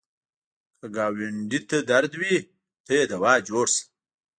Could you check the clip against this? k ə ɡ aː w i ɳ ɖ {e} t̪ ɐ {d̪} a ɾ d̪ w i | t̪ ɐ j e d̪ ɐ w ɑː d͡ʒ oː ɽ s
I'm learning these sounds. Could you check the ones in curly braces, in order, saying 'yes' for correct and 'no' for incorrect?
no, yes

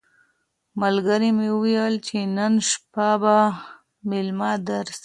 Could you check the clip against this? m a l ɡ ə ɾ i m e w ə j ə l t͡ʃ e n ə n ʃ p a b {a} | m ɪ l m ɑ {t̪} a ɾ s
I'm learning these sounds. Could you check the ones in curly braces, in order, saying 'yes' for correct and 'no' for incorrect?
yes, no

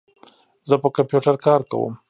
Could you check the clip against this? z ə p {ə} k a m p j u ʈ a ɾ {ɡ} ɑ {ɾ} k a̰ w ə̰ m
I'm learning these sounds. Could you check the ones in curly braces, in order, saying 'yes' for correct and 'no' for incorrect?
yes, no, yes

